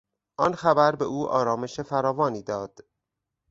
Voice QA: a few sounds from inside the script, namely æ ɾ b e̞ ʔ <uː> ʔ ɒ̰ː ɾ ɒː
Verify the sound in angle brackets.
correct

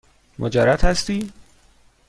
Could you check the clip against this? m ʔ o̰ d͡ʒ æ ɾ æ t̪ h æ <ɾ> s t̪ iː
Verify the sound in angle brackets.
incorrect: none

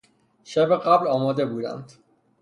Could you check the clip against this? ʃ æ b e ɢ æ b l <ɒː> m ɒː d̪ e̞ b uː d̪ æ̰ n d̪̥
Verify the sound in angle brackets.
correct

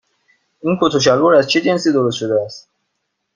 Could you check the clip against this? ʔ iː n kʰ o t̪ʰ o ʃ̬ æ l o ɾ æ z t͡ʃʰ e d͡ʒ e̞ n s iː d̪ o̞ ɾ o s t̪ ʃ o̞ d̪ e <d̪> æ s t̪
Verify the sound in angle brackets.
incorrect: none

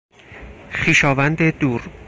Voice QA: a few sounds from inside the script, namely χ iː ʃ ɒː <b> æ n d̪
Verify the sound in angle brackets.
incorrect: v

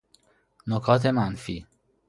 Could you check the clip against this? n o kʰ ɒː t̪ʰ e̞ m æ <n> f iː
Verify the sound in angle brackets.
correct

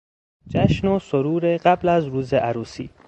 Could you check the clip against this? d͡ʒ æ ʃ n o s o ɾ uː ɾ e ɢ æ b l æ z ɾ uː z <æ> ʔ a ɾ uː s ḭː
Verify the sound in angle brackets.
incorrect: e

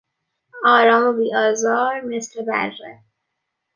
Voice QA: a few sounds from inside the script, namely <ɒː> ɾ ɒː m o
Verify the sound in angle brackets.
correct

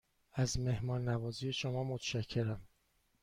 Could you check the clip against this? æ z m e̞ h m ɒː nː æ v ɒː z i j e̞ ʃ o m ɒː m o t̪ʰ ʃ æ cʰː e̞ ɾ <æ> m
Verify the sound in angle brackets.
correct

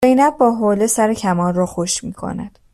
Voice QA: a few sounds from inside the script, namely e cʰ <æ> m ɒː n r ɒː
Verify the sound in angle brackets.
correct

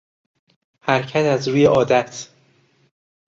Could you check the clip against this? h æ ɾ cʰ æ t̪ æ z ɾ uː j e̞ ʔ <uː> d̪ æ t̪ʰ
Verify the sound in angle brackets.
incorrect: ɒː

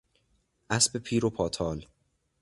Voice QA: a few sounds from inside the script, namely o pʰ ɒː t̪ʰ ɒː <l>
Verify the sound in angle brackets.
correct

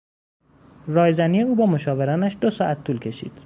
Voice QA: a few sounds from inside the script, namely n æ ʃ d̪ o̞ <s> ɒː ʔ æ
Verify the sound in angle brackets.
correct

